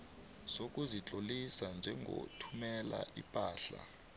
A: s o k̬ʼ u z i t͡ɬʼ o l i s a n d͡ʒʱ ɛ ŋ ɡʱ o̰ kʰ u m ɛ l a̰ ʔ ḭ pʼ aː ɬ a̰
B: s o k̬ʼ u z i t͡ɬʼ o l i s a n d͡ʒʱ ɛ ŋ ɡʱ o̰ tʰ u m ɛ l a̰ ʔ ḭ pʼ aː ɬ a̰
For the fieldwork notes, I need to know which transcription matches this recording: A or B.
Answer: B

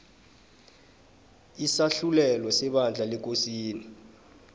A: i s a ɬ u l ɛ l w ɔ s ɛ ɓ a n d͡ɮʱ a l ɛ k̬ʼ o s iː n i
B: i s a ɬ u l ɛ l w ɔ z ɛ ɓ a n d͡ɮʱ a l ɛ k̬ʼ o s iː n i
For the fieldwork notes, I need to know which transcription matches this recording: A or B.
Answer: A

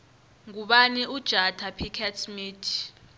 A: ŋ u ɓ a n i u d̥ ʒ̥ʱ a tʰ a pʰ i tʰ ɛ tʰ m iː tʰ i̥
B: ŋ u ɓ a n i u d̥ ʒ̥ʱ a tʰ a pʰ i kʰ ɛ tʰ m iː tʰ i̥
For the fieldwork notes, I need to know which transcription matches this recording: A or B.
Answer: B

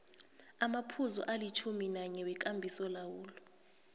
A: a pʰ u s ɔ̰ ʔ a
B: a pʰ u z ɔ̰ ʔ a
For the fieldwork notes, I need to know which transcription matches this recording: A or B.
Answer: B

